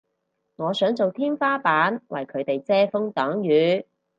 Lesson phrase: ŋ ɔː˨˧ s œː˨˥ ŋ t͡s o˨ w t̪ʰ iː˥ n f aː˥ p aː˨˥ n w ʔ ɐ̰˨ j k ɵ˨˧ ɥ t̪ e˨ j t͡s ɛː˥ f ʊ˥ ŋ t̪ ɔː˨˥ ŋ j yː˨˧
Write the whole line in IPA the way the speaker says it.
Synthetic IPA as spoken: ŋ ɔː˨˧ s œː˨˥ ŋ t͡s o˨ w t̪ʰ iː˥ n f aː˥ p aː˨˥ n w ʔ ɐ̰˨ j kʰ ɵ˨˧ ɥ t̪ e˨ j t͡s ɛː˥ f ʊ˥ ŋ t̪ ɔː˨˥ ŋ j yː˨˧

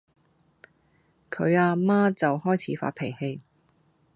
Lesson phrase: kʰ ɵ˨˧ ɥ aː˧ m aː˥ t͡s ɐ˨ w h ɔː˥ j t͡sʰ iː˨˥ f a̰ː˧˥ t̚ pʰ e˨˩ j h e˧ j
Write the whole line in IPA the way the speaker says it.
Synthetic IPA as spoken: kʰ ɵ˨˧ ɥ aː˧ m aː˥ t͡s ɐ˨ w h ɔː˥ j t͡sʰ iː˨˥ f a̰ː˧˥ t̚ pʰ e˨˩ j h e˧ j

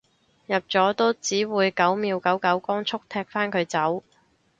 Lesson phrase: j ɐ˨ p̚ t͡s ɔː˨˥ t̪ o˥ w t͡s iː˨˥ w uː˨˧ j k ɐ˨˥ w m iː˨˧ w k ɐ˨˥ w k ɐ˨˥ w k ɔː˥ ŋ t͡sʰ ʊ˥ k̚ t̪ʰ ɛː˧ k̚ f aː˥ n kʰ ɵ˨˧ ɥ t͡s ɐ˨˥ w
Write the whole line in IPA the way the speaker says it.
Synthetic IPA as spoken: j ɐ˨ p̚ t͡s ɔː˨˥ t̪ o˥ w t͡s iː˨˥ w uː˨˧ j k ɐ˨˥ w m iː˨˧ w k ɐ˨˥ w k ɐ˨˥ w k ɔː˥ ŋ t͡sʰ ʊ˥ k̚ t̪ʰ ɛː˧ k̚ f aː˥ n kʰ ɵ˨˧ ɥ t͡s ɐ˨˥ w

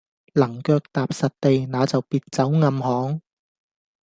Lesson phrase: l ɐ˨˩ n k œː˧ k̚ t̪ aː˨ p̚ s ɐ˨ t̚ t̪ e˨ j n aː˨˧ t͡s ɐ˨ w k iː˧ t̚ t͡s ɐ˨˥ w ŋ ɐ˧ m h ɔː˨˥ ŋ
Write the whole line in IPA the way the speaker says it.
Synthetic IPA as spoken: l ɐ˨˩ ŋ k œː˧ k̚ t̪ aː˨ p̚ s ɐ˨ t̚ t̪ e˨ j n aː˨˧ t͡s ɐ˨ w p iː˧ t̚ t͡s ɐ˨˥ w ŋ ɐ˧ m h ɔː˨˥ ŋ

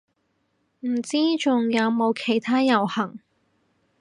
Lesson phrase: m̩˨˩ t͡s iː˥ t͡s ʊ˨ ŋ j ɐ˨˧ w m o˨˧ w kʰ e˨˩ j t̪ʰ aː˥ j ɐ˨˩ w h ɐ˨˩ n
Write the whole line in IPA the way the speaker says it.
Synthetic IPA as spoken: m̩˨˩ t͡s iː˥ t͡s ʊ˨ ŋ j ɐ˨˧ w m o˨˧ w kʰ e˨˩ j t̪ʰ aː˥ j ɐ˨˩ w h ɐ˨˩ ŋ

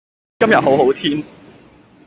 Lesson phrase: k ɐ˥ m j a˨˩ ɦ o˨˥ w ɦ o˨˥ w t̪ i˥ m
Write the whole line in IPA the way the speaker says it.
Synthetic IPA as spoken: k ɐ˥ m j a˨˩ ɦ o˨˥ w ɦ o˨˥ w t̪ʰ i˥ n

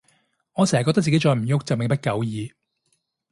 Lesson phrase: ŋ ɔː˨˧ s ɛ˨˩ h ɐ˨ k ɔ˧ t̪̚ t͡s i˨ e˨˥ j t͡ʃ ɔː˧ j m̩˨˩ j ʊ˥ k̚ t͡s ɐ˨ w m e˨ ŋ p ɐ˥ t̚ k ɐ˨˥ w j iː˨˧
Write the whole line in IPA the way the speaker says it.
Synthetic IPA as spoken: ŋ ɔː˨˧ s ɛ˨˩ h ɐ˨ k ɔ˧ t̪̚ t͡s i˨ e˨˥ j t͡ʃ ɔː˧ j m̩˨˩ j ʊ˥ k̚ t͡s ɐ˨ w m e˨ ŋ p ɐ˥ t̚ k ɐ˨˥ w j iː˨˧

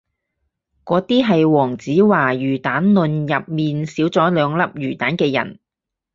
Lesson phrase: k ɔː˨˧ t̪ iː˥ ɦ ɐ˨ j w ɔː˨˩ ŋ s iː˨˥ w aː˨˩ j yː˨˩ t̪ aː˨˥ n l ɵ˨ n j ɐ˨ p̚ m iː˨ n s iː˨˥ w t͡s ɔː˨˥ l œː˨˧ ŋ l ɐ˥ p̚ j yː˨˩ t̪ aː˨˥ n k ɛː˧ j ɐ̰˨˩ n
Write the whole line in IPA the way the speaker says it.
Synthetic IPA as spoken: k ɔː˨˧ t̪ iː˥ ɦ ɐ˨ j w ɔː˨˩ ŋ t͡s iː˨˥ w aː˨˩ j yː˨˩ t̪ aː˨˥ n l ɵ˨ n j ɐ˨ p̚ m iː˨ n s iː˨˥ w t͡s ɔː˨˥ l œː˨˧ ŋ l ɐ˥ p̚ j yː˨˩ t̪ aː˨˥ n k ɛː˧ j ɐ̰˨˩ n

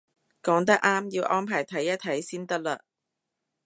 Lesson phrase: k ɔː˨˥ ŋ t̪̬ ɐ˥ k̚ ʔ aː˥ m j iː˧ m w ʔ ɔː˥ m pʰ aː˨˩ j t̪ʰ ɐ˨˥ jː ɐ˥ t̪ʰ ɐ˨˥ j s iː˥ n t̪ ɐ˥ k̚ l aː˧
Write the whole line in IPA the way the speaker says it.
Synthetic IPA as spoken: k ɔː˨˥ ŋ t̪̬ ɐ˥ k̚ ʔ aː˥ m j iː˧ w ʔ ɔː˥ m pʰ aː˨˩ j t̪ʰ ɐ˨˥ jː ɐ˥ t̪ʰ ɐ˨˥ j s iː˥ n t̪ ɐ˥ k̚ l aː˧

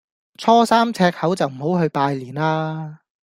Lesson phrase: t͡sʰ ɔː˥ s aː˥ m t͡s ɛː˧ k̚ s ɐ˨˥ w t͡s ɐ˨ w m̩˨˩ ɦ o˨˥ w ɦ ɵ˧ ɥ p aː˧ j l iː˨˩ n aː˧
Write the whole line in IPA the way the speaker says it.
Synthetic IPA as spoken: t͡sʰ ɔː˥ s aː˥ m t͡sʰ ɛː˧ k̚ h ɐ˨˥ w t͡s ɐ˨ w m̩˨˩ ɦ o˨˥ w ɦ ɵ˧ ɥ p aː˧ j l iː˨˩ n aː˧

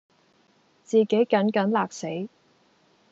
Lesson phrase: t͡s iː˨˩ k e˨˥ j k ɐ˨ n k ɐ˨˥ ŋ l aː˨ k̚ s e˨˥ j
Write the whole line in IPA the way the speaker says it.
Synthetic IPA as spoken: t͡s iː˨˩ k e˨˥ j k ɐ˨˥ n k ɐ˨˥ n l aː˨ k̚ s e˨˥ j

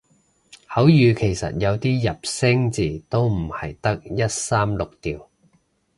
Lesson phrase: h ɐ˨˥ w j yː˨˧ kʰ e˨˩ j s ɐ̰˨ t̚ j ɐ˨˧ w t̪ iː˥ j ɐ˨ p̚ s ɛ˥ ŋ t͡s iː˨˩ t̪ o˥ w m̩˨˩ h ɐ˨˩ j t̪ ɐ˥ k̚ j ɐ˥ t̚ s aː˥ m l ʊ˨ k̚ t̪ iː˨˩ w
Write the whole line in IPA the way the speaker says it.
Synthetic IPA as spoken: h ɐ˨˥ w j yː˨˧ kʰ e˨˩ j s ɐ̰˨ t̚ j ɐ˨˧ w t̪ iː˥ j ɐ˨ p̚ s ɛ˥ ŋ t͡s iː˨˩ t̪ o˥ w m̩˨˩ h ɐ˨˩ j t̪ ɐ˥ k̚ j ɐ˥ t̚ s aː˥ m l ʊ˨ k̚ t̪ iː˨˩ w

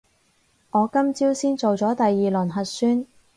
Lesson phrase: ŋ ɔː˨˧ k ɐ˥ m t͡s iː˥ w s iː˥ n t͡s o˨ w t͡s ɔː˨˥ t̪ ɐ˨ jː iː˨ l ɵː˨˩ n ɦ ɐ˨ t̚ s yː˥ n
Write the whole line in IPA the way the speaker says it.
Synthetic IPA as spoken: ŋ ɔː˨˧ k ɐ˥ m t͡s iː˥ w s iː˥ n t͡s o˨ w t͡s ɔː˨˥ t̪ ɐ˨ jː iː˨ l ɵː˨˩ n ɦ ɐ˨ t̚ s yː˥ n

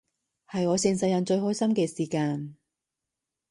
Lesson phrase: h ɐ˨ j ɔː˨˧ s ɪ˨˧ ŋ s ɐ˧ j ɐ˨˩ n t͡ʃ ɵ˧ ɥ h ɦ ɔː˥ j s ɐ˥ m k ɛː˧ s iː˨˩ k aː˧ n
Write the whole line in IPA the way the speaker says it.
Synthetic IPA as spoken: h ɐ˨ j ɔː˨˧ s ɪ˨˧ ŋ s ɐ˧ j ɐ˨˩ n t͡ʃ ɵ˧ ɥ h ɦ ɔː˥ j s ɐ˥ m k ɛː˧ s iː˨˩ k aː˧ n

